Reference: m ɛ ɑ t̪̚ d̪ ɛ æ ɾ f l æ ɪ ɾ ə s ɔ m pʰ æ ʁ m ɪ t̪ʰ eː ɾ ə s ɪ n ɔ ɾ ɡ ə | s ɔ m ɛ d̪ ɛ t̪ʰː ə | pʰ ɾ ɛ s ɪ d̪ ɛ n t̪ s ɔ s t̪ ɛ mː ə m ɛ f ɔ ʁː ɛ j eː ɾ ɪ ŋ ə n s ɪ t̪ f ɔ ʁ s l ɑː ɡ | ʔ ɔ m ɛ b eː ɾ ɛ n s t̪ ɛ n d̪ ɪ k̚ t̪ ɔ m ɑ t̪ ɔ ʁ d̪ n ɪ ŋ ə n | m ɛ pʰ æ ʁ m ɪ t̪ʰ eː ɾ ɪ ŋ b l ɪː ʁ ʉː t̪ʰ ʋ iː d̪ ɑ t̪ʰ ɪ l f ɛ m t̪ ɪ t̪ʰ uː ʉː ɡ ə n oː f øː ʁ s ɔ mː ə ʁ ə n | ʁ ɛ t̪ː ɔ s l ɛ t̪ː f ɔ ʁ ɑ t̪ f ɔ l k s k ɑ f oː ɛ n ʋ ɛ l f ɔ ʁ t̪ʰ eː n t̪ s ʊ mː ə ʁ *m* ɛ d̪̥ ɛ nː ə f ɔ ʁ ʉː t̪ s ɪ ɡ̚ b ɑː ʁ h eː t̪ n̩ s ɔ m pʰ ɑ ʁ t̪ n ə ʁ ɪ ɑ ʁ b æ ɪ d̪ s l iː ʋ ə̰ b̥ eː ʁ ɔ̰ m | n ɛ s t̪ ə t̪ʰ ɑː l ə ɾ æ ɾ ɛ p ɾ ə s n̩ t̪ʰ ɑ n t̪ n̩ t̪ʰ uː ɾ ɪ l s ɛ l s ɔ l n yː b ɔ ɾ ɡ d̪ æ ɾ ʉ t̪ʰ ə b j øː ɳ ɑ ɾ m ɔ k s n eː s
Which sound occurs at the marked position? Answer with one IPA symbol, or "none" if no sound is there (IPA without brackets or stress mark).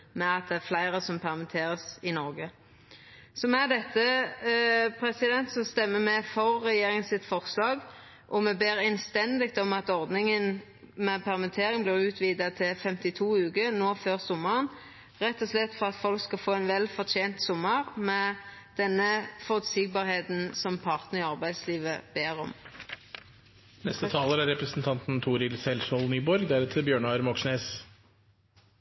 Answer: m